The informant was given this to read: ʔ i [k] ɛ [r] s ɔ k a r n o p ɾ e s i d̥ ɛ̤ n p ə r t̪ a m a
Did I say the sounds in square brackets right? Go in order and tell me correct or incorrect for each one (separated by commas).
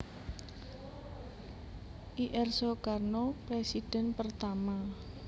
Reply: incorrect, correct